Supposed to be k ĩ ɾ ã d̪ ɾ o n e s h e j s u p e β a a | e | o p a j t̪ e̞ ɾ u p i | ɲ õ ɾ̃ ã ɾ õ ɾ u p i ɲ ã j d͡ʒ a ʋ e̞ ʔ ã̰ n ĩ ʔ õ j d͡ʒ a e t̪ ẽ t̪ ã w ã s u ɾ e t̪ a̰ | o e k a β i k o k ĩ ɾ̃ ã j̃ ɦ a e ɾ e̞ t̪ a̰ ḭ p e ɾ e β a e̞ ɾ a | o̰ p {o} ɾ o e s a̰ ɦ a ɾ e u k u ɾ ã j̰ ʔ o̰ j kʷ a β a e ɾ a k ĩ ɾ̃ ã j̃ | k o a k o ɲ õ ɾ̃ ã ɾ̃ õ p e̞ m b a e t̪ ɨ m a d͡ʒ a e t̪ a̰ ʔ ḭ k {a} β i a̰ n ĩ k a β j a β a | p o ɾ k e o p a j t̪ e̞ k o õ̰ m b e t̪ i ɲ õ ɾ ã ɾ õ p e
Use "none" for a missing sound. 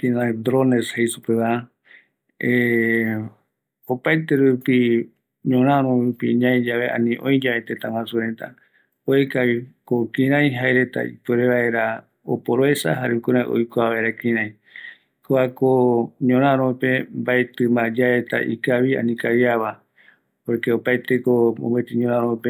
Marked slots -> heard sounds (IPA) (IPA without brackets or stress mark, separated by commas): o, a